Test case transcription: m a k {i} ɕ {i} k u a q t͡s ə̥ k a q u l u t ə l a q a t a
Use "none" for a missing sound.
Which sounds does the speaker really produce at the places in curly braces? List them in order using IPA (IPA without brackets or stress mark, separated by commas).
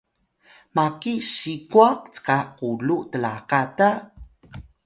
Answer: i, i